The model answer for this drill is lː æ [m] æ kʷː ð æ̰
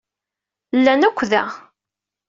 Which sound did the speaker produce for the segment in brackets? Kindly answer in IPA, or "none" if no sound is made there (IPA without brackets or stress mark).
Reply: n